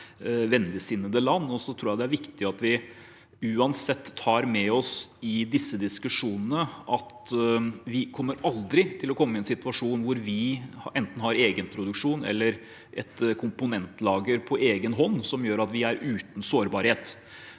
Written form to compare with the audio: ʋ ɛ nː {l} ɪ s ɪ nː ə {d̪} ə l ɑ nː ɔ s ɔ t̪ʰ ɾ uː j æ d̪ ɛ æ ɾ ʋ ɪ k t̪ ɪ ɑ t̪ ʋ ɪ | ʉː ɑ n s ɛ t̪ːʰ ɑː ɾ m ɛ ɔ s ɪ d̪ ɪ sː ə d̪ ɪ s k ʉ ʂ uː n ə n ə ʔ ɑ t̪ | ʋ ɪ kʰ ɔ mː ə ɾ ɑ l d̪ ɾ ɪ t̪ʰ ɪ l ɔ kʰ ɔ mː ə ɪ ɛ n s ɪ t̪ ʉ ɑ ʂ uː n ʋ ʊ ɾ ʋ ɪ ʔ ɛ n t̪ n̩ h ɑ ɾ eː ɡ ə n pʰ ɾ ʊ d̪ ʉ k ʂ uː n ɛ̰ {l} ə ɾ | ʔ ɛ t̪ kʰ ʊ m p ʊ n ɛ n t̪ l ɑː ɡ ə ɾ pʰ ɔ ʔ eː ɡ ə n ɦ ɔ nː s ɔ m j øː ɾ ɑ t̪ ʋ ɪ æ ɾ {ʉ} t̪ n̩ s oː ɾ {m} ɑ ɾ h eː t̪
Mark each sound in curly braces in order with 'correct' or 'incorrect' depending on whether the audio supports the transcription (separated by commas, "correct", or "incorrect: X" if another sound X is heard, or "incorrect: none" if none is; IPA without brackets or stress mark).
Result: correct, correct, incorrect: lː, incorrect: ʉː, incorrect: b